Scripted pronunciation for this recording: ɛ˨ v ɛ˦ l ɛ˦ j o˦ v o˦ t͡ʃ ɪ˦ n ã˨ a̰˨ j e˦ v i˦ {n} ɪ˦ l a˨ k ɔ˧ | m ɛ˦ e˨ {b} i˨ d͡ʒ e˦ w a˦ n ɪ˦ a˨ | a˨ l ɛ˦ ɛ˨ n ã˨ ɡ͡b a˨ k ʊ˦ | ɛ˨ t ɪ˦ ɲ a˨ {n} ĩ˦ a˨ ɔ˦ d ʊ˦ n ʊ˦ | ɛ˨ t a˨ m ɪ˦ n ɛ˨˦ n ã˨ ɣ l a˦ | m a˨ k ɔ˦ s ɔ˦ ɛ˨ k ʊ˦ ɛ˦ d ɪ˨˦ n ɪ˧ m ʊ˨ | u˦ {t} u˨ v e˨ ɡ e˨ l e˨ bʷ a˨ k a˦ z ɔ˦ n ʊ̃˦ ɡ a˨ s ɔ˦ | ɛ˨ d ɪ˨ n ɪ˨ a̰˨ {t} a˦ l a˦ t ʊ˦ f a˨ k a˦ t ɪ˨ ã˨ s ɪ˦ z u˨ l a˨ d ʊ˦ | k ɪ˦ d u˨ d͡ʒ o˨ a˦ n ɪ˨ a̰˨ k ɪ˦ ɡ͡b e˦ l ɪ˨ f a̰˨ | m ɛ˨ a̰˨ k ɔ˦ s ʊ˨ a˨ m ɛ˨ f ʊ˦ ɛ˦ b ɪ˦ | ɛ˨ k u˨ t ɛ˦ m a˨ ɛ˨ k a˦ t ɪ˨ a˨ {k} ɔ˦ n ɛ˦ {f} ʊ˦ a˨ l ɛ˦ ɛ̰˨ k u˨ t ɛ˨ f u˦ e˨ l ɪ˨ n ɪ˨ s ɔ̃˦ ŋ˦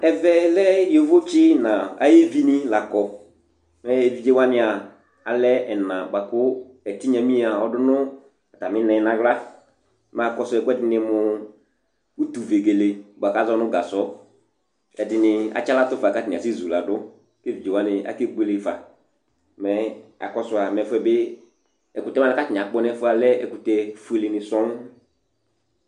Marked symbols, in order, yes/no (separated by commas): yes, no, no, yes, no, no, yes